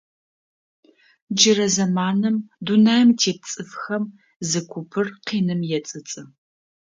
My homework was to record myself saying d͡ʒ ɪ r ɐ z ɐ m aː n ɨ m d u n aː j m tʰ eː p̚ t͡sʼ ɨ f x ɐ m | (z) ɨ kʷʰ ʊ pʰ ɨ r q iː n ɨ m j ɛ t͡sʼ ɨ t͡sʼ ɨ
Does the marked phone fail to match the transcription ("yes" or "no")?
no